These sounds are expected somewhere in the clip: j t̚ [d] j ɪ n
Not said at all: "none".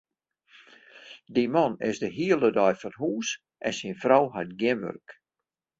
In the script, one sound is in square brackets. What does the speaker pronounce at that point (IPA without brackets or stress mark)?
ɡ